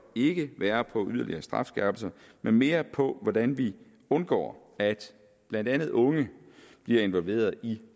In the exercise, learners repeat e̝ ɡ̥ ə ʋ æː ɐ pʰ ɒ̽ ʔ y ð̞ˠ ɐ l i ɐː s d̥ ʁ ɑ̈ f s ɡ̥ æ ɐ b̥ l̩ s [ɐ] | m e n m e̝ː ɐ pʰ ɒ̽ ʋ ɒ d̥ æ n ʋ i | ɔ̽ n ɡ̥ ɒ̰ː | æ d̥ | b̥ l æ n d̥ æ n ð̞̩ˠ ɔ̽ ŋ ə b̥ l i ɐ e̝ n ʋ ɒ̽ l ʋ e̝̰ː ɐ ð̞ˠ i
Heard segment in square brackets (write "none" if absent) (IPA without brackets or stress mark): ɐ